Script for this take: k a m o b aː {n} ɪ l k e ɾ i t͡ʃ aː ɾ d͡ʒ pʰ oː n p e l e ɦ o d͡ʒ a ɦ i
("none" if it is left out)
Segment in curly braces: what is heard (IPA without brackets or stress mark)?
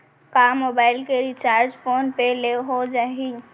none